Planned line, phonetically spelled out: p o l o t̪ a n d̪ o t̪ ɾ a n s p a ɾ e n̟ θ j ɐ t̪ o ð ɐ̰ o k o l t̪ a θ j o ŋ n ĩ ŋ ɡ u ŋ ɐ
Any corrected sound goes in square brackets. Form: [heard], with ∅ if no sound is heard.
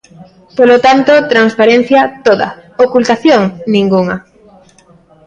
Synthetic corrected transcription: p o l o t̪ a n [t̪] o t̪ ɾ a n s p a ɾ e n̟ θ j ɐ t̪ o ð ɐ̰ o k [u] l t̪ a θ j o ŋ n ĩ ŋ ɡ u ŋ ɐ